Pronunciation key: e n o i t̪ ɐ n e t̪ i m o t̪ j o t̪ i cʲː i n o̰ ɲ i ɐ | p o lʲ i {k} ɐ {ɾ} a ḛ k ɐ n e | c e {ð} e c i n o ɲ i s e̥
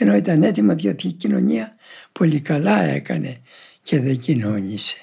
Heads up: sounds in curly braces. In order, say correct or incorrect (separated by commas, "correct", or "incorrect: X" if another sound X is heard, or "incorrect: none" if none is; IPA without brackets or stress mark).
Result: correct, incorrect: l, correct